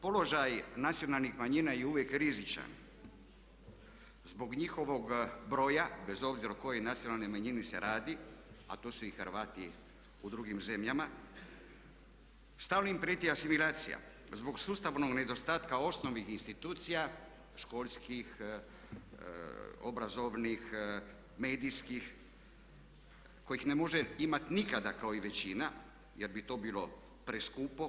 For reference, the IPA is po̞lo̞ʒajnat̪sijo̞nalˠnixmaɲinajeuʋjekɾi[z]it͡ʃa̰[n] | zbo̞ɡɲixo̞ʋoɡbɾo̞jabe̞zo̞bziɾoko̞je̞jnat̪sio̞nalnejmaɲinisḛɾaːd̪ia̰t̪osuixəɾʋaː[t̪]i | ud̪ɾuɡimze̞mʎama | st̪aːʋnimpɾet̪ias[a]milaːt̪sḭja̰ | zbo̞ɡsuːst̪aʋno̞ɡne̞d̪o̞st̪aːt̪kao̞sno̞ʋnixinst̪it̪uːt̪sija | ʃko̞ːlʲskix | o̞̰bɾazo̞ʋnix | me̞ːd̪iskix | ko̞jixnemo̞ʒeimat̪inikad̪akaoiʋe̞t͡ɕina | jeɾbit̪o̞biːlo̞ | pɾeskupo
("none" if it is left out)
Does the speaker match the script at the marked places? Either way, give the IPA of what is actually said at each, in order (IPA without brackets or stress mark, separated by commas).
z, n, t̪, i